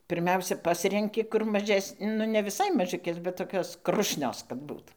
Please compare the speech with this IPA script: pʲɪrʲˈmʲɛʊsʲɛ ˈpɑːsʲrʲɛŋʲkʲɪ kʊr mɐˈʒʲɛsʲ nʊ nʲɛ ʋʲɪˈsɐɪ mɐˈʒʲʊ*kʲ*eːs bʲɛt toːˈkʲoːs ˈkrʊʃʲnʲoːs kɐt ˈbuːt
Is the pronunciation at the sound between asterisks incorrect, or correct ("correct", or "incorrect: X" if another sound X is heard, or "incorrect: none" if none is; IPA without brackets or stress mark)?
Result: correct